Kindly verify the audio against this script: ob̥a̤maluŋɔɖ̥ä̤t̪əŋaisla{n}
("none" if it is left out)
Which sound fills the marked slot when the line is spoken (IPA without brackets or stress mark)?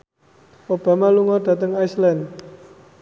n